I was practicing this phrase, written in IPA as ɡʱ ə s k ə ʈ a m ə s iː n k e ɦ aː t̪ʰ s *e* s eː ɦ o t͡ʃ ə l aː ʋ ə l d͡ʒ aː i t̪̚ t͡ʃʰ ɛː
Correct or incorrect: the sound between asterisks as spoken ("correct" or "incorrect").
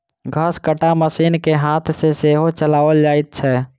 correct